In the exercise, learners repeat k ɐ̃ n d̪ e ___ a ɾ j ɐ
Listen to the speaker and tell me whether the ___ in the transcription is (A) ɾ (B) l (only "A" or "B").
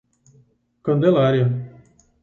B